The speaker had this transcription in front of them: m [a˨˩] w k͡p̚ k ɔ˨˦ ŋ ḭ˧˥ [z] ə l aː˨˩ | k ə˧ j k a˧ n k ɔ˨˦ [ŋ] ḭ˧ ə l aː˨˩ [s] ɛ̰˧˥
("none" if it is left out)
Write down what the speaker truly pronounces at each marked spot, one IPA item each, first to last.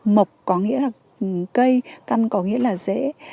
ə˨˩, none, ŋ, z

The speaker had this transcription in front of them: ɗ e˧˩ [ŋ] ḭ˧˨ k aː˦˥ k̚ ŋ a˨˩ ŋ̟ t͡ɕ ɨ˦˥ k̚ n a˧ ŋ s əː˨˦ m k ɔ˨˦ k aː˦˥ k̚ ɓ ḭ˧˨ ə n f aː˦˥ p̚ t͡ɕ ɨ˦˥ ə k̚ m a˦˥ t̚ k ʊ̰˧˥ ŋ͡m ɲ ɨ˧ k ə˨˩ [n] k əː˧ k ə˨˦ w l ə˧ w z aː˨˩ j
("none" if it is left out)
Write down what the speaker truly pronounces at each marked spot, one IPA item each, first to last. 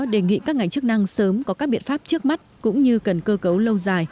ŋ, n

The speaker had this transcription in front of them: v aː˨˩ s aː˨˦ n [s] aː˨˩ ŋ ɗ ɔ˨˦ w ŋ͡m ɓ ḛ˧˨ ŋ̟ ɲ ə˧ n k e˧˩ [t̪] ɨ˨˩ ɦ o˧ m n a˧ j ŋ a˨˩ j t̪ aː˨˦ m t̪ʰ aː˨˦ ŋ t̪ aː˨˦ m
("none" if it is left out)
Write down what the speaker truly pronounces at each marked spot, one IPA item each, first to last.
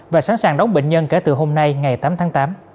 s, t̪

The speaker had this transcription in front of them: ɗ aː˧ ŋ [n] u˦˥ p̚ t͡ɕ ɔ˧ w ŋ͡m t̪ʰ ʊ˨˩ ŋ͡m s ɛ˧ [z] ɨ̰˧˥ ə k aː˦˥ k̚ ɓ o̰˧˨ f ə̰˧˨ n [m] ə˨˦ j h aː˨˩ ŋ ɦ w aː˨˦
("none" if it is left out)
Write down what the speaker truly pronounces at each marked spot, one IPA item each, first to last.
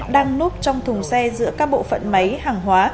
n, z, m

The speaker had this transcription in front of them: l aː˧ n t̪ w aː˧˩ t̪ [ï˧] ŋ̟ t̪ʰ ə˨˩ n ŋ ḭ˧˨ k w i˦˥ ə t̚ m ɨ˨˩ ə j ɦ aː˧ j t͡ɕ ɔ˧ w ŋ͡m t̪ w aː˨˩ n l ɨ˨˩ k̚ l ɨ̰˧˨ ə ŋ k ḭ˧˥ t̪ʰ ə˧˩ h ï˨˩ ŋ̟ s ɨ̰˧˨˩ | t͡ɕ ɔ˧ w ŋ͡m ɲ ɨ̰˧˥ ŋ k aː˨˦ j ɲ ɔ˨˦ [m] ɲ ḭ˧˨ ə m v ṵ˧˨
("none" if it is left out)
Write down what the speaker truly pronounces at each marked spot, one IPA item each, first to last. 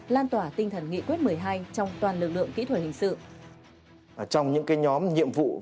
ï˧, m

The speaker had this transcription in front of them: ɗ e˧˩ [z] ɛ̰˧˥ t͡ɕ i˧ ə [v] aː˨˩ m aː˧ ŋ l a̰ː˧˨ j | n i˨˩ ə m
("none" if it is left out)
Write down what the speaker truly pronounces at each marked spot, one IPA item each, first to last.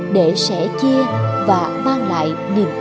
s, v

